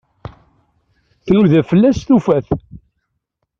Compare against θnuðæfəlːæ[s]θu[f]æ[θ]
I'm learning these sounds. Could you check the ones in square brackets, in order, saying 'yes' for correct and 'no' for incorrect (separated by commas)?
yes, yes, yes